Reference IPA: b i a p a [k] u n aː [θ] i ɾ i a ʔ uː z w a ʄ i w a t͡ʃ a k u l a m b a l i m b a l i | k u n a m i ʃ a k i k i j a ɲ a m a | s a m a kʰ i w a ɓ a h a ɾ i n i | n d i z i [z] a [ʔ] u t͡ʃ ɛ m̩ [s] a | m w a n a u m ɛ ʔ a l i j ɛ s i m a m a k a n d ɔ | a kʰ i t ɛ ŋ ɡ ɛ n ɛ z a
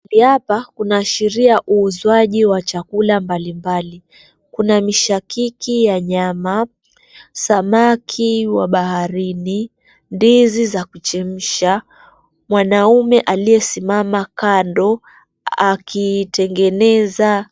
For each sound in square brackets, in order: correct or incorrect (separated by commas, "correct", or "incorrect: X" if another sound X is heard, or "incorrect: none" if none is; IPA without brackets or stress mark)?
correct, incorrect: ʃ, correct, incorrect: k, incorrect: ʃ